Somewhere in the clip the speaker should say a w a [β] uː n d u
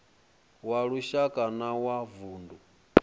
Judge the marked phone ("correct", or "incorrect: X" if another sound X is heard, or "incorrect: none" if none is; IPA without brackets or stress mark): incorrect: v